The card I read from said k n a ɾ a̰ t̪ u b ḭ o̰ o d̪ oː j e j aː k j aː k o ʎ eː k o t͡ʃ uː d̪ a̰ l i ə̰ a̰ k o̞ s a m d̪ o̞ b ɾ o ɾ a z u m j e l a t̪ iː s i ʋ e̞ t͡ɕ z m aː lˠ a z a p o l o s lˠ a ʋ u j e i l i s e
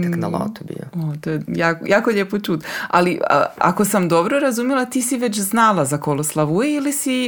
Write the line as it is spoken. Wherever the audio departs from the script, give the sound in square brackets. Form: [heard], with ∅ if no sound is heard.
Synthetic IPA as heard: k n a [l] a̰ t̪ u b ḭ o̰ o [t̪] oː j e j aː k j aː k o ʎ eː [p] o t͡ʃ uː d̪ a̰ l i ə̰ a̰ k o̞ s a m d̪ o̞ b ɾ o ɾ a z u m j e l a t̪ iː s i ʋ e̞ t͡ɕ z [n] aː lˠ a z a [k] o l o s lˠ a ʋ u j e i l i s [i]